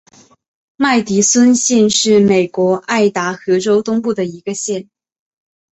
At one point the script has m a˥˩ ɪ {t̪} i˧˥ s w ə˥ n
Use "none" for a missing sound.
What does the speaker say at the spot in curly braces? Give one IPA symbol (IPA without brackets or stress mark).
t̪